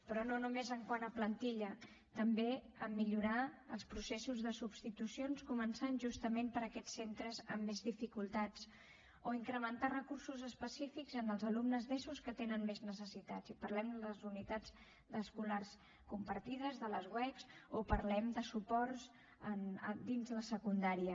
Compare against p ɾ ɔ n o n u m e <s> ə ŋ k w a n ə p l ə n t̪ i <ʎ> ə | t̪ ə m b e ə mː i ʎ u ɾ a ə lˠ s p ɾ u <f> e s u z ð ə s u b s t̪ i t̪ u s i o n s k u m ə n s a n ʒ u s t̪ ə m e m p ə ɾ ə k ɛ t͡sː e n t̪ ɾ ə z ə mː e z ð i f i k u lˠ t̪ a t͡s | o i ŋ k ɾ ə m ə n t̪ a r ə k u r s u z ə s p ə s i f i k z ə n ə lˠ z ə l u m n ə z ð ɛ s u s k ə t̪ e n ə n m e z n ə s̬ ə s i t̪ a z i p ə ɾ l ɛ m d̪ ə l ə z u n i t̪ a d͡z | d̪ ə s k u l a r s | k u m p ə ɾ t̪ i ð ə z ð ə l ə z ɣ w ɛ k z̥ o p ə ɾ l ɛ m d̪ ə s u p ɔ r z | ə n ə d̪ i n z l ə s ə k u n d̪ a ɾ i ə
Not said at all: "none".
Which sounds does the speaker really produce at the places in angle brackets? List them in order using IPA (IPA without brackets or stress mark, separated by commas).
z, ʎ, s